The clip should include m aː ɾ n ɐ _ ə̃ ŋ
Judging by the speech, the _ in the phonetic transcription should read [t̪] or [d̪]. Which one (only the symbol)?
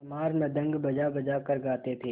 d̪